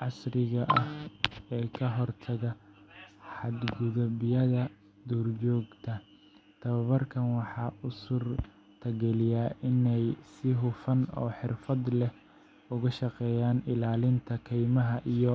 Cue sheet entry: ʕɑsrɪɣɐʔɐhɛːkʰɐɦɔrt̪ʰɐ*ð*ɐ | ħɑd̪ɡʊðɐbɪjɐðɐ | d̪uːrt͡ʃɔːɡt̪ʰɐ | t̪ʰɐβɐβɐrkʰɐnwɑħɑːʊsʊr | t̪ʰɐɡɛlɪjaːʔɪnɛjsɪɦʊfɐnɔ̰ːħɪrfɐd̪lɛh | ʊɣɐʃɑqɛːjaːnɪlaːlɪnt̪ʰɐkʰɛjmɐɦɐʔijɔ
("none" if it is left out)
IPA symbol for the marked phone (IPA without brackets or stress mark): ɣ